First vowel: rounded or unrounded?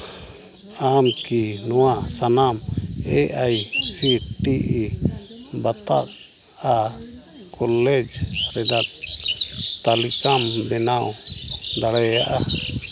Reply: unrounded